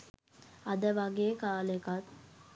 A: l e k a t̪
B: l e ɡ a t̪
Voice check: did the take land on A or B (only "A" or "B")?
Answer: A